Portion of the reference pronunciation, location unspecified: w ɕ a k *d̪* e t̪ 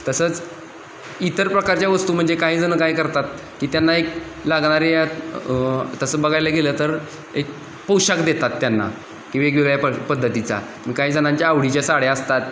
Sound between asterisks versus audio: correct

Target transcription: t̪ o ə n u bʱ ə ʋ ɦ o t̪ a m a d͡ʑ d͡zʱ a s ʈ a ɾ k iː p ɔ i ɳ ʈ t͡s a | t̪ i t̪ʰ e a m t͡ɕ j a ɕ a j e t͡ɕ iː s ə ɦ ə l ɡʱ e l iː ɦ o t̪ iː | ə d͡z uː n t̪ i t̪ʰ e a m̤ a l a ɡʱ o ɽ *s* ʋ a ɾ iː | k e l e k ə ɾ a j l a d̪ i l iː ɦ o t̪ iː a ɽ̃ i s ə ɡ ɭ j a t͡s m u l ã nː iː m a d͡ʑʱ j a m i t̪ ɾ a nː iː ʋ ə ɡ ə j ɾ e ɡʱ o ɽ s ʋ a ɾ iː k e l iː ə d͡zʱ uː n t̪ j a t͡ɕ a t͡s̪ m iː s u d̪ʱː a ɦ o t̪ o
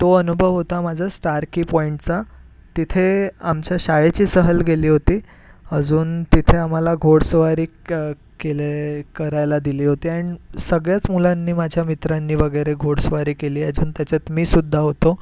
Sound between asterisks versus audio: correct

